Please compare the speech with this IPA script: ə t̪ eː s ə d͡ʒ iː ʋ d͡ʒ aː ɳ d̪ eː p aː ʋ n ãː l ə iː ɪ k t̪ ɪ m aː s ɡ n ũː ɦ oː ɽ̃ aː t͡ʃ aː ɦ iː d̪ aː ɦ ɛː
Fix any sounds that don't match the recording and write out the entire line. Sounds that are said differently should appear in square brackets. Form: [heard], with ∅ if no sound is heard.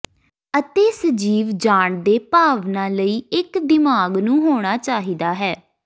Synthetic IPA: ə t̪ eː s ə d͡ʒ iː ʋ d͡ʒ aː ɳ d̪ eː p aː ʋ n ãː l ə iː ɪ k [d̪] ɪ m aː [∅] ɡ n ũː ɦ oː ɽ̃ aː t͡ʃ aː ɦ iː d̪ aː ɦ ɛː

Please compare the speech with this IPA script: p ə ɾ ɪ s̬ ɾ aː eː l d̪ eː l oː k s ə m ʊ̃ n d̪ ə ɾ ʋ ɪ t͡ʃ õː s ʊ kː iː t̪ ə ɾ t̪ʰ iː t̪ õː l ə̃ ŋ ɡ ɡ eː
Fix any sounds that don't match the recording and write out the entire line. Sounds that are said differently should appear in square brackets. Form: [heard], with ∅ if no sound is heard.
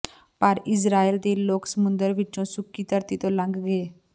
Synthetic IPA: p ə ɾ ɪ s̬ ɾ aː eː l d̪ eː l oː k s ə m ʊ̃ n d̪ ə ɾ ʋ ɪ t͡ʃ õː s ʊ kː iː t̪ ə ɾ [t̪] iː t̪ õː l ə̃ ŋ ɡ ɡ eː

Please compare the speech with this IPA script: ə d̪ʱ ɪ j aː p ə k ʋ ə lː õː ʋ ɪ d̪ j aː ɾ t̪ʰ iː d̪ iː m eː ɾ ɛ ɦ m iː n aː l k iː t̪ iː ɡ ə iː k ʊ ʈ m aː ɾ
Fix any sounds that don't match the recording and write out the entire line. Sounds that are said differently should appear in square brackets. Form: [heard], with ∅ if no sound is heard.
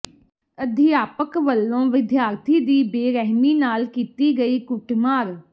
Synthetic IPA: ə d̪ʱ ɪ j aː p ə k ʋ ə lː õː ʋ ɪ d̪ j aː ɾ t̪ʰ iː d̪ iː [b] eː ɾ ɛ ɦ m iː n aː l k iː t̪ iː ɡ ə iː k ʊ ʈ m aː ɾ

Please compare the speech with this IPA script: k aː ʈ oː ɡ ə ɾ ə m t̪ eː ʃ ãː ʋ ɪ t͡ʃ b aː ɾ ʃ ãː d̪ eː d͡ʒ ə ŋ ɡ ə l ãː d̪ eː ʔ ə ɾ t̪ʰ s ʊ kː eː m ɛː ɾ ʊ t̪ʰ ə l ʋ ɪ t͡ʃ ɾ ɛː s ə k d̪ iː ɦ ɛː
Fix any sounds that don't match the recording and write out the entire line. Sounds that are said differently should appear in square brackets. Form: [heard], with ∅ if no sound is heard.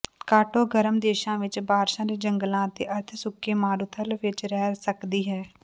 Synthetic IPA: k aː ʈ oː ɡ ə ɾ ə m [d̪] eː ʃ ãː ʋ ɪ t͡ʃ b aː ɾ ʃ ãː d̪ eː d͡ʒ ə ŋ ɡ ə l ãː [t̪] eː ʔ ə ɾ t̪ʰ s ʊ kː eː m [aː] ɾ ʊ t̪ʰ ə l ʋ ɪ t͡ʃ ɾ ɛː s ə k d̪ iː ɦ ɛː

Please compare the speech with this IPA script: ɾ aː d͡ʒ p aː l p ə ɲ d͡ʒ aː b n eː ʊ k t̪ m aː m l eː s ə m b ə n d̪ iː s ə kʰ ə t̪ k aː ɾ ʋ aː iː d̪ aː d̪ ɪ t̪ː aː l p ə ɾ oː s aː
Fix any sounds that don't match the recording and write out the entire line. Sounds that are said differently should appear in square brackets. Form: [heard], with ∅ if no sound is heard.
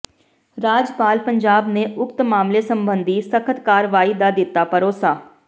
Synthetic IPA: ɾ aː d͡ʒ p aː l p ə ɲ d͡ʒ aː b n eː ʊ k t̪ m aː m l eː s ə m b ə n d̪ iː s ə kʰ ə t̪ k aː ɾ ʋ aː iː d̪ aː d̪ ɪ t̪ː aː [∅] p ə ɾ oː s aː

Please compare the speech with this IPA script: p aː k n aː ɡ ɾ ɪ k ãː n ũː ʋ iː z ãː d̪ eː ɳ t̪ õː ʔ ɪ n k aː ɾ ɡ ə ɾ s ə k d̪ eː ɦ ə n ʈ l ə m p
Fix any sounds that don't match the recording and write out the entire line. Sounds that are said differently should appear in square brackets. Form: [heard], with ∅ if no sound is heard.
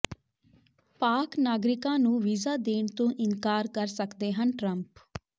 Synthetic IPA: p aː k n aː ɡ ɾ ɪ k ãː n ũː ʋ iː z [aː] d̪ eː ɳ t̪ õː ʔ ɪ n k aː ɾ [k] ə ɾ s ə k d̪ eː ɦ ə n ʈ [ɾ] ə m p

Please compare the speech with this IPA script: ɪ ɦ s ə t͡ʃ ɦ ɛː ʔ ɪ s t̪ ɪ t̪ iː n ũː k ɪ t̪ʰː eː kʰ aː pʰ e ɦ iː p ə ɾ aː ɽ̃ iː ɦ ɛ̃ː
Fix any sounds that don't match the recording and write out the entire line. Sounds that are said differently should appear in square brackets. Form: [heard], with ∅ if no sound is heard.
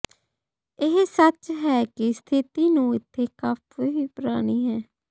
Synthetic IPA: ɪ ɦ s ə t͡ʃ ɦ ɛː [k] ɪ s [t̪ʰ] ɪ t̪ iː n ũː [∅] ɪ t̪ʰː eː [k] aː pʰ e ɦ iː p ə ɾ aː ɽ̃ iː ɦ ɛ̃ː

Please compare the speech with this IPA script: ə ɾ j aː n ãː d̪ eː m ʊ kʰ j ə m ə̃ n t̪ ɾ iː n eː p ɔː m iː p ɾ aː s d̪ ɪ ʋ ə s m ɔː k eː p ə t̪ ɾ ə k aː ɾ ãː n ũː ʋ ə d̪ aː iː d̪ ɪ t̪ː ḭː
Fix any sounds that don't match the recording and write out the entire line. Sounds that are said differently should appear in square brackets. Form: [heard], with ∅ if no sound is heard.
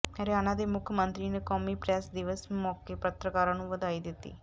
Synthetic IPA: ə ɾ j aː n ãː d̪ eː m ʊ kʰ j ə m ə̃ n t̪ ɾ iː n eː [k] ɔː m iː p ɾ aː s d̪ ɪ ʋ ə s m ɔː k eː p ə t̪ ɾ ə k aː ɾ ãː n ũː ʋ ə d̪ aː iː d̪ ɪ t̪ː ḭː

